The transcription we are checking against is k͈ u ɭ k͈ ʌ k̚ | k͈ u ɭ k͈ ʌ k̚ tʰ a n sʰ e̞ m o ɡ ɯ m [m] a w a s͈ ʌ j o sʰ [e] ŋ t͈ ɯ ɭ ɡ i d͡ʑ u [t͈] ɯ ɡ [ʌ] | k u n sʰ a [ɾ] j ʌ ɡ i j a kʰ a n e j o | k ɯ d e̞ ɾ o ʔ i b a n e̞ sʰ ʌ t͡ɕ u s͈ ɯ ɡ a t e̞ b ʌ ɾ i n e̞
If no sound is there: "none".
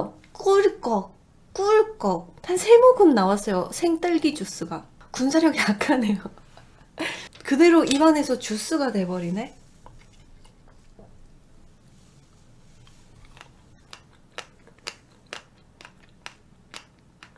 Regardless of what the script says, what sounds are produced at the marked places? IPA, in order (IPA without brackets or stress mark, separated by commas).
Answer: n, e, s͈, a, ɾ